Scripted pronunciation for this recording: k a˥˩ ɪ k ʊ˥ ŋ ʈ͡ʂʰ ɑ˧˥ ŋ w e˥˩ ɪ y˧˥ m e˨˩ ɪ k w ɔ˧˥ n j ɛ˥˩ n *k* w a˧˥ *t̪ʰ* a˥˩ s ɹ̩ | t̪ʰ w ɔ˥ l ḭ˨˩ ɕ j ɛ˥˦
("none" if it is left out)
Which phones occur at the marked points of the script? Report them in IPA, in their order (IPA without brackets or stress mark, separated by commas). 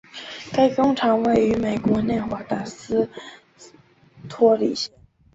x, t̪